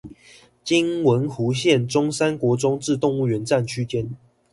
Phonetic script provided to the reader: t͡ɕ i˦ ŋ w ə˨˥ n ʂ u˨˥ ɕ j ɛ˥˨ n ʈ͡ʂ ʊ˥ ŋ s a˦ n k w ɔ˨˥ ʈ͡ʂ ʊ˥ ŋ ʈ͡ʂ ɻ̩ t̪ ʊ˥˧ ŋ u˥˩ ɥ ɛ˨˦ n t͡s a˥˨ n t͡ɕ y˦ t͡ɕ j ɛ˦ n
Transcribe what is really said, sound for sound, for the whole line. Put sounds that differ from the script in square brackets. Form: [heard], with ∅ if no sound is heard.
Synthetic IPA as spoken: t͡ɕ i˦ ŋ w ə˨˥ n [x] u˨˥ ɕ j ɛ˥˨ n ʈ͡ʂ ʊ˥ ŋ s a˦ n k w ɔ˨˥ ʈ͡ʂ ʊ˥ ŋ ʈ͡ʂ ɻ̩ t̪ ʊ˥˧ ŋ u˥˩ ɥ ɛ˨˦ n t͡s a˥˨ n [t͡ɕʰ] y˦ t͡ɕ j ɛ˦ n